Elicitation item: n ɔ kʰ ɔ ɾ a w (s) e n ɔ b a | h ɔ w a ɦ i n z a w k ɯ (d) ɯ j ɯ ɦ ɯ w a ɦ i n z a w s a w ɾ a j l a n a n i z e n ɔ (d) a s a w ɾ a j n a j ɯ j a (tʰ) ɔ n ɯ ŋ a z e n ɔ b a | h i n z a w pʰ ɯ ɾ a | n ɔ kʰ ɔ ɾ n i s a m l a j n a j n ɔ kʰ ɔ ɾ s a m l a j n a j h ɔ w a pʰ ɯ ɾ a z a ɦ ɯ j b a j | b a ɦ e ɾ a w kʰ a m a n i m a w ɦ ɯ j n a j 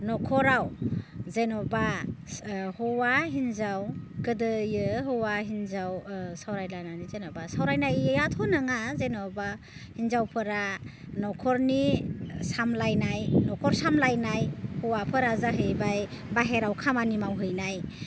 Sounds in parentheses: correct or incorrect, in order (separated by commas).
incorrect, correct, incorrect, correct